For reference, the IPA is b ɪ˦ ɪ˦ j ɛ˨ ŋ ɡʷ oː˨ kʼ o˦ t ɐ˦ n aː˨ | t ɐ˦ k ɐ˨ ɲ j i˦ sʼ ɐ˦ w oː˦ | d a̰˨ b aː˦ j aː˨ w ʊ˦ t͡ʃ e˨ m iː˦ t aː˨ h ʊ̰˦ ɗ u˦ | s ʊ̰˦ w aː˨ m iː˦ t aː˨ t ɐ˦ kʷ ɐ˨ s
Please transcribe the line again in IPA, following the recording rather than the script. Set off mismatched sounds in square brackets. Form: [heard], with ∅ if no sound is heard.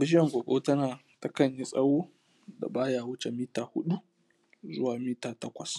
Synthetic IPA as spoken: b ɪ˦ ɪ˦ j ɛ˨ ŋ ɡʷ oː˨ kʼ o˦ t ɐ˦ n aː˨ | t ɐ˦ k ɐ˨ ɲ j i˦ sʼ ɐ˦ w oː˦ | d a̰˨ b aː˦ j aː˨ w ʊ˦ t͡ʃ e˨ m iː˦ t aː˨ h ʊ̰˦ ɗ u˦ | [z] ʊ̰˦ w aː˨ m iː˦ t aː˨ t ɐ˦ kʷ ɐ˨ s

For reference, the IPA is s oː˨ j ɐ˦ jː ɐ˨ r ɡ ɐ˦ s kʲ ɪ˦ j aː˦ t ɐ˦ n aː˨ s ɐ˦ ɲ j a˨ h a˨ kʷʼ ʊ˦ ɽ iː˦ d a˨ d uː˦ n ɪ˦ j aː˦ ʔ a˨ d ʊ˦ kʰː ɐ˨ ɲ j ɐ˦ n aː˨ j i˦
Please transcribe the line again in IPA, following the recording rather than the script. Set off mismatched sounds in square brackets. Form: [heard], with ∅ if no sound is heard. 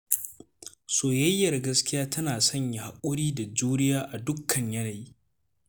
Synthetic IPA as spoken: s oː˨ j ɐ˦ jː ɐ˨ r ɡ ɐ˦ s kʲ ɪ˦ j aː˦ t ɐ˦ n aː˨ s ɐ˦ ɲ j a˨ h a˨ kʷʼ ʊ˦ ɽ iː˦ d a˨ [d͡ʒ] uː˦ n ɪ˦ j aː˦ ʔ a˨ d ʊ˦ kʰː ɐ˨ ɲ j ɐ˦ n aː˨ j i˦

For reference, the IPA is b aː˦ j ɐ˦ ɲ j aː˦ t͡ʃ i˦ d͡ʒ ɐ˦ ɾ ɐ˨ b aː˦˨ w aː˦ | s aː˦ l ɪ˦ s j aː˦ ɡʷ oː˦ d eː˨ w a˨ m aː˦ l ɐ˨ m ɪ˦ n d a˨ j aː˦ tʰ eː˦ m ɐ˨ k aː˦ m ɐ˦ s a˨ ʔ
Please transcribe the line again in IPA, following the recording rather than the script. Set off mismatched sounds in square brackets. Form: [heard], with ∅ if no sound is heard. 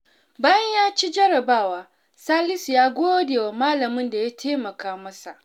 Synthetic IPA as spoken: b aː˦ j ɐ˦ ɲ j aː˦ t͡ʃ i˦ d͡ʒ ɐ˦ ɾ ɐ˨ b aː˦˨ w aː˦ | s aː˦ l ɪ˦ s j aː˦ ɡʷ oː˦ d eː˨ w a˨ m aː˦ l ɐ˨ m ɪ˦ n d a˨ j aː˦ tʰ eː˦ m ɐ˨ k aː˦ m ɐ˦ s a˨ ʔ

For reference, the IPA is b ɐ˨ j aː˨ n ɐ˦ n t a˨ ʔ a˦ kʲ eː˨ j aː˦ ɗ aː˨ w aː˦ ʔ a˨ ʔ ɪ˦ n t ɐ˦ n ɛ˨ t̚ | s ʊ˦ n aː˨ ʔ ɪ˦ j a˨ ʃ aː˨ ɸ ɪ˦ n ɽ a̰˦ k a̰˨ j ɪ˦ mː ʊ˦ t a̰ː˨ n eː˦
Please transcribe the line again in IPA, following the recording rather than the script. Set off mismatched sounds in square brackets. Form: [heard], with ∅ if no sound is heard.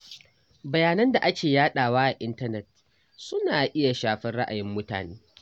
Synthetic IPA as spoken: b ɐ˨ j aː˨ n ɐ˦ n [d] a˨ ʔ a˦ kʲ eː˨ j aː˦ ɗ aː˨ w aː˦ ʔ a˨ ʔ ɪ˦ n t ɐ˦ n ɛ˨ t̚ | s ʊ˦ n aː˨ ʔ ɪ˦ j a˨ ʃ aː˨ ɸ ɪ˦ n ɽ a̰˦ [ʔ] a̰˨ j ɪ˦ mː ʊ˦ t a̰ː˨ n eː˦

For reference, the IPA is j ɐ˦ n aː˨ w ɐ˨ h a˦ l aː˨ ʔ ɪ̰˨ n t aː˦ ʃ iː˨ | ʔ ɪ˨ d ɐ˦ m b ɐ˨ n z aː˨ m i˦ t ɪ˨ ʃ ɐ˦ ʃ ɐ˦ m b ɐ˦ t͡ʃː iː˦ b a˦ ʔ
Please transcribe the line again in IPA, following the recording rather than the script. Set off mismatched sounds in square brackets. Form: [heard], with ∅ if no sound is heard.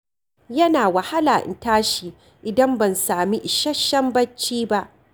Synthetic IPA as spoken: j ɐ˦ n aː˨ w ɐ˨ h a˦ l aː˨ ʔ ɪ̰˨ n t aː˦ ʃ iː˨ | ʔ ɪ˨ d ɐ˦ m b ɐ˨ n [s] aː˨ m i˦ [ʔ] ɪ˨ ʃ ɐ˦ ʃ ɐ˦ m b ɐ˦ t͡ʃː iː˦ b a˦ ʔ

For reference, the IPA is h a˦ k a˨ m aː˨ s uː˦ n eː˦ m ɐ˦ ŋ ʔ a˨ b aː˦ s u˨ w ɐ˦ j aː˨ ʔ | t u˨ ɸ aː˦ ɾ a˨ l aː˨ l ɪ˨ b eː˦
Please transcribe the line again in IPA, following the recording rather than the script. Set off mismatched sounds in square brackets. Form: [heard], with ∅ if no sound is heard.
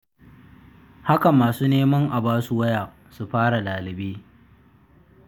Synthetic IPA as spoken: h a˦ k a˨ m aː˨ s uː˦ n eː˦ m ɐ˦ ŋ ʔ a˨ b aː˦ s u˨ w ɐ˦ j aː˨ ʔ | [s] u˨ ɸ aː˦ [ɽ] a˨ l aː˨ l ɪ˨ b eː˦

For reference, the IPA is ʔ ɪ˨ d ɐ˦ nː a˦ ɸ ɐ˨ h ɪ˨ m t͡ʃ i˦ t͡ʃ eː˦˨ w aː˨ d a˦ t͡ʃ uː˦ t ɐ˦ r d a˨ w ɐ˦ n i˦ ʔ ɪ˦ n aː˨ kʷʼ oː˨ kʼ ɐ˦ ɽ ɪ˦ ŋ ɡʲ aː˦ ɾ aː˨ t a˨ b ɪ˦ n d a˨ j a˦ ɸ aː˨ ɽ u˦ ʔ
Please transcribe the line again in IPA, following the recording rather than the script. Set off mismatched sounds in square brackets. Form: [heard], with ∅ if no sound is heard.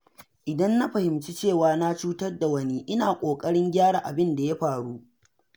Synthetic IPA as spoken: ʔ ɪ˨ d ɐ˦ nː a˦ ɸ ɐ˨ h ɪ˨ m t͡ʃ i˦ t͡ʃ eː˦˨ w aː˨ [n] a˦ t͡ʃ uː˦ t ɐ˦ r d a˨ w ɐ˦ n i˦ ʔ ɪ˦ n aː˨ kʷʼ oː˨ kʼ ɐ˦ ɽ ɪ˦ ŋ ɡʲ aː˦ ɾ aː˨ [ʔ] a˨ b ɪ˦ n d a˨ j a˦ ɸ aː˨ ɽ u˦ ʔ

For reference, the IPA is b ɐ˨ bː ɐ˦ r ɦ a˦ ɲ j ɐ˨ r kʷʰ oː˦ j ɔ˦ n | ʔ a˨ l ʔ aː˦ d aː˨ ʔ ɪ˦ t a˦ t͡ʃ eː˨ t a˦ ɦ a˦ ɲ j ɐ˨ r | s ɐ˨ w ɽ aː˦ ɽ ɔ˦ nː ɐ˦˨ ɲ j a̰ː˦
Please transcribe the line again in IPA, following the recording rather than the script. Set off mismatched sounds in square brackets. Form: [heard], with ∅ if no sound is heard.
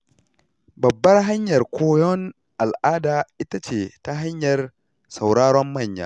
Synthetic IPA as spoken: b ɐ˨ bː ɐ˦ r ɦ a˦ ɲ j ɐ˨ r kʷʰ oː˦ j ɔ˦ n | ʔ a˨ l ʔ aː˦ d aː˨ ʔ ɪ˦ t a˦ t͡ʃ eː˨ t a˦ ɦ a˦ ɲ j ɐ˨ r | s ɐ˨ w ɽ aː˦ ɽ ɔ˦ [mː] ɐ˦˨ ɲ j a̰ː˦

